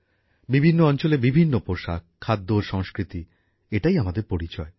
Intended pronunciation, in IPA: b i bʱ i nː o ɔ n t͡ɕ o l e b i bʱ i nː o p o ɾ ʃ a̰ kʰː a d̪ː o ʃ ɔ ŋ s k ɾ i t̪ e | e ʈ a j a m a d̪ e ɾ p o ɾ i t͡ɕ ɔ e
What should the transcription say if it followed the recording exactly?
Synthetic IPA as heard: b i bʱ i nː o ɔ n t͡ɕ o l e b i bʱ i nː o p o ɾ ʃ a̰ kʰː a d̪ː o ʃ ɔ ŋ s k ɾ i t̪ i | e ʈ a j a m a d̪ e ɾ p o ɾ i t͡ɕ ɔ e